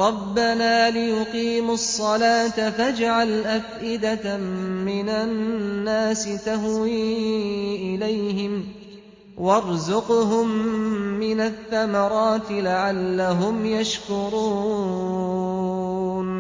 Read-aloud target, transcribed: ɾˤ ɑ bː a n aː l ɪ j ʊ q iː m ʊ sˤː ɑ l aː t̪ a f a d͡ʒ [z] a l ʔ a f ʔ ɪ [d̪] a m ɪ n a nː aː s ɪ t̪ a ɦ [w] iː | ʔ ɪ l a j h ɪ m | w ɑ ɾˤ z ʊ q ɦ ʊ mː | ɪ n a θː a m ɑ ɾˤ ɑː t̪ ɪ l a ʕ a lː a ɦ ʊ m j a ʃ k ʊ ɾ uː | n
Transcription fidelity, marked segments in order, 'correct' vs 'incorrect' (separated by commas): incorrect, correct, correct